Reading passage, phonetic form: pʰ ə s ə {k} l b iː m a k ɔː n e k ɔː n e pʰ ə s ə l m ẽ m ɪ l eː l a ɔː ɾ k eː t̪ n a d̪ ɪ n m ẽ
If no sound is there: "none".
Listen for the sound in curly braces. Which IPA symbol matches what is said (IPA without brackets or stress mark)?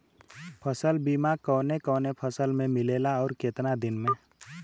none